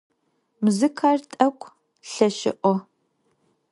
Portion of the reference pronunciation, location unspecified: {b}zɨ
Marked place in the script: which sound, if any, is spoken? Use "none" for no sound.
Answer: m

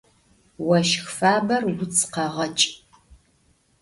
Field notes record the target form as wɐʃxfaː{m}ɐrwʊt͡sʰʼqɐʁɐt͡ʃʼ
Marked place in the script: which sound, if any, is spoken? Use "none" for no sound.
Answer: b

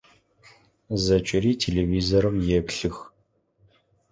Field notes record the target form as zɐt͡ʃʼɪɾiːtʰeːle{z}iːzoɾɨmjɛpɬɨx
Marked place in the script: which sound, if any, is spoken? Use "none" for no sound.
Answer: v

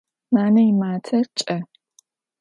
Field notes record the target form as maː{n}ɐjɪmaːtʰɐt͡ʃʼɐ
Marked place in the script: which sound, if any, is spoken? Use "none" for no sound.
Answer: n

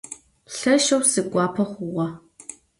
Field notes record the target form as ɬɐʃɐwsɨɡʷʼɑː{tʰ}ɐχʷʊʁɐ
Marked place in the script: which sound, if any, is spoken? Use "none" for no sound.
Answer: pʰ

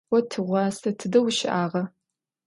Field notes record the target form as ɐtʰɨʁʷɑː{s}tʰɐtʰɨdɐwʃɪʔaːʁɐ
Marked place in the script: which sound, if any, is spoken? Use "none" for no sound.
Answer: s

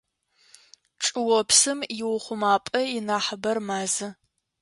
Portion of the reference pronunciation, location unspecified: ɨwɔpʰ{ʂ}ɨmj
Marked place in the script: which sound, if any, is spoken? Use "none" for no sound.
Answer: s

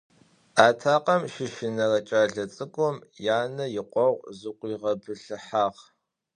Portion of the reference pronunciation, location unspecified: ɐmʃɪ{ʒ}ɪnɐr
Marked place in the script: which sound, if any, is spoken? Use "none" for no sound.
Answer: ʃ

